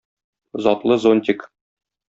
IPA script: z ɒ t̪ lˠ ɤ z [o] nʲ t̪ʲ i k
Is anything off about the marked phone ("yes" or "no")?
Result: no